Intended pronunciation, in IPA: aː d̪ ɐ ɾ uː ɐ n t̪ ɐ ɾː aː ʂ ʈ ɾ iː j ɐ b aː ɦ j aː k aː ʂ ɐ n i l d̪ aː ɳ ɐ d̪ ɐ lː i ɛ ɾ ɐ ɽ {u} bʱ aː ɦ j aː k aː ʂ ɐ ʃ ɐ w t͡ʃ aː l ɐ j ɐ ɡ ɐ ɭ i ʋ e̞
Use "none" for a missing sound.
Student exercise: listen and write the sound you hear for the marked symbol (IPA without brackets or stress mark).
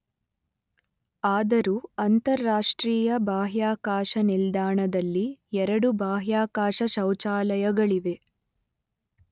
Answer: u